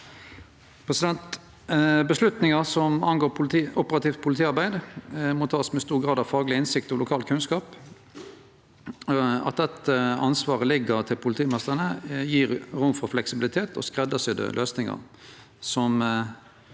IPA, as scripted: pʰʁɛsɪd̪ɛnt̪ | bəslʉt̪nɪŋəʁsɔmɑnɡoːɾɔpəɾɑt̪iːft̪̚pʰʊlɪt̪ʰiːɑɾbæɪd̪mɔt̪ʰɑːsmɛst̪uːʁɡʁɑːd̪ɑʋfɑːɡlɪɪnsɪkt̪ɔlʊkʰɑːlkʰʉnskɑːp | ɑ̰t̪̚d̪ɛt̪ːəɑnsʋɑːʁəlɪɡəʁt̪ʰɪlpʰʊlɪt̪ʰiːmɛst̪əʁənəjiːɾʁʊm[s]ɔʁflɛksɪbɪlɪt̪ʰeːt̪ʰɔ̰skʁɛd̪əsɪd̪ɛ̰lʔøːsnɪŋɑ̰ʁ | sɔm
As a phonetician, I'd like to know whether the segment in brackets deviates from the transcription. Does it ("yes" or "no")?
yes